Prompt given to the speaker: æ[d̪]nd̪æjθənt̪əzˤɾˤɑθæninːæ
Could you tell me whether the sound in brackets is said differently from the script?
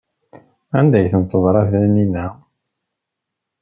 yes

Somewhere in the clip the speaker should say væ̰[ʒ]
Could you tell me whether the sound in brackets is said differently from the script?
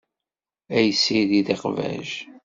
no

